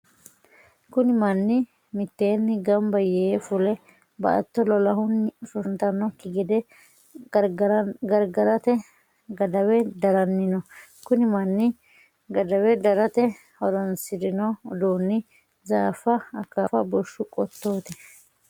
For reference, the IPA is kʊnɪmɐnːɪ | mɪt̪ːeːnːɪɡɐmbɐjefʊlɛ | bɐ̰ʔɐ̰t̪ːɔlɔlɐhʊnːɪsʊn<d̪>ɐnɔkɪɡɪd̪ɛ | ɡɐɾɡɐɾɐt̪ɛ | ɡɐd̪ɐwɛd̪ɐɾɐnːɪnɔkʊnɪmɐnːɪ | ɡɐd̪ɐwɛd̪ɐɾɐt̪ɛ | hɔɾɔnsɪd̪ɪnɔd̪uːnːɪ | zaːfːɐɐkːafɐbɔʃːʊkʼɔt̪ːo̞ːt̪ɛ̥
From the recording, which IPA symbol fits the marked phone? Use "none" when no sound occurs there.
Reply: t̪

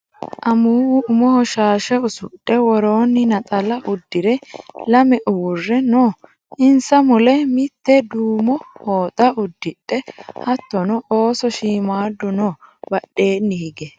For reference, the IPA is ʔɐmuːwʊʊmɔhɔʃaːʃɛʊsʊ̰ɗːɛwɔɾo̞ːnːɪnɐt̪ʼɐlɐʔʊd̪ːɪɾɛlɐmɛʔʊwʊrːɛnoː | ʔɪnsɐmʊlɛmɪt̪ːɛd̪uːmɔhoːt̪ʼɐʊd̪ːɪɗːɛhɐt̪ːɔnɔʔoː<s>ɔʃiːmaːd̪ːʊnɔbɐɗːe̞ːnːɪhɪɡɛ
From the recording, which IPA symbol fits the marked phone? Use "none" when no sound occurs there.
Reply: s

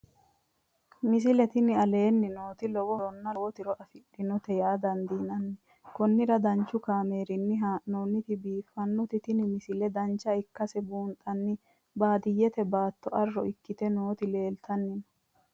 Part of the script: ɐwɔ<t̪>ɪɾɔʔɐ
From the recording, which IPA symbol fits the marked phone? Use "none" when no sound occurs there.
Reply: t̪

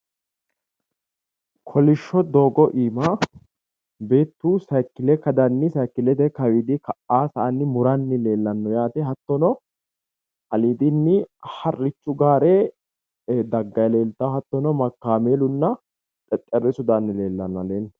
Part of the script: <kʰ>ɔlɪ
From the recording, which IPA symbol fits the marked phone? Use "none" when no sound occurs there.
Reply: kʰ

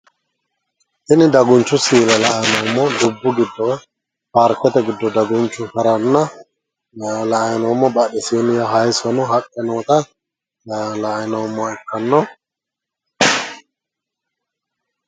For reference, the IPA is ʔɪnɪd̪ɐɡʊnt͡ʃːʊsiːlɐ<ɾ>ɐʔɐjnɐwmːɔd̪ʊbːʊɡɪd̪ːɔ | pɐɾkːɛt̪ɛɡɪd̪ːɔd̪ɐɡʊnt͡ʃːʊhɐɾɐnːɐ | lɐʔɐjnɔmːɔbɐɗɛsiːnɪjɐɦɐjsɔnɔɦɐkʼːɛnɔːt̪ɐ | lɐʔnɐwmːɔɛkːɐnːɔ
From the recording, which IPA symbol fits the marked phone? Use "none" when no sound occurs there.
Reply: l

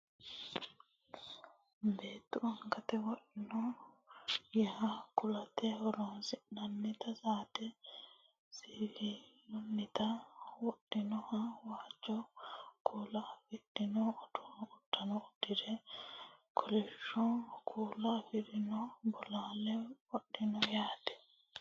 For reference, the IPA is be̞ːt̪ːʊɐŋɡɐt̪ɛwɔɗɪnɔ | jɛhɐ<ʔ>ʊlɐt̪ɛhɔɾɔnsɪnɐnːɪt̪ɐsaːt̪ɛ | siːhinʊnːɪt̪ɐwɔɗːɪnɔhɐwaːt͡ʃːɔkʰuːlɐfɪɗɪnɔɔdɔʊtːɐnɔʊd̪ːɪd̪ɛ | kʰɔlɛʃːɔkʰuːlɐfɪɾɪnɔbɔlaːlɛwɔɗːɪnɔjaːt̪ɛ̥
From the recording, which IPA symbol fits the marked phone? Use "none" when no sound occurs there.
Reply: k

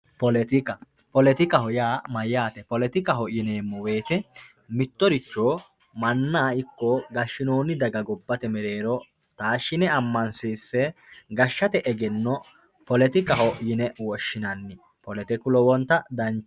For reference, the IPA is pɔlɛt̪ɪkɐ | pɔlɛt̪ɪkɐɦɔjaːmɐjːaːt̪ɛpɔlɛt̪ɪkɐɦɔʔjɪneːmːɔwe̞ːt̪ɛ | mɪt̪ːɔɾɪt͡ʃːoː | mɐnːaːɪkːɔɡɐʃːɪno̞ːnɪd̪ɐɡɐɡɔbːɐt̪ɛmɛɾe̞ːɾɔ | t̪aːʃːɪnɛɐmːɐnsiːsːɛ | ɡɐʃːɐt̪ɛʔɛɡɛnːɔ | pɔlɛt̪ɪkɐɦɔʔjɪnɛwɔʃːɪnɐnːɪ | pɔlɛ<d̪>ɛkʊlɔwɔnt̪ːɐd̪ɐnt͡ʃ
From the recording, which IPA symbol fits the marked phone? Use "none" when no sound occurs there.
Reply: t̪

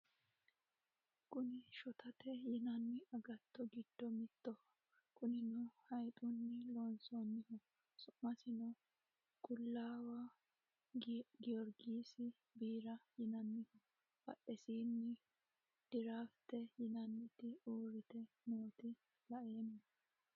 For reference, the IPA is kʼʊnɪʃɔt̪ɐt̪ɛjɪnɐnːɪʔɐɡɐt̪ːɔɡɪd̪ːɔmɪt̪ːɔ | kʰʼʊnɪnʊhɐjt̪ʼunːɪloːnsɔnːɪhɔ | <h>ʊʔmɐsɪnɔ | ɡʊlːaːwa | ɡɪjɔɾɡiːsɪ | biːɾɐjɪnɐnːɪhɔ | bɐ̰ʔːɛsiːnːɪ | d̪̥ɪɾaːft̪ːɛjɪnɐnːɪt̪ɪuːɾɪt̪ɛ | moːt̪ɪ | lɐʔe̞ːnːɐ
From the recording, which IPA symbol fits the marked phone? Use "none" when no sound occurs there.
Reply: s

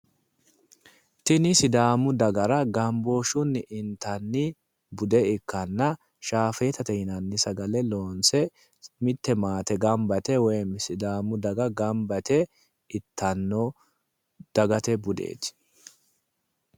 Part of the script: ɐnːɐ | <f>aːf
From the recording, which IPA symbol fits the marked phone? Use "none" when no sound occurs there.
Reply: ʃ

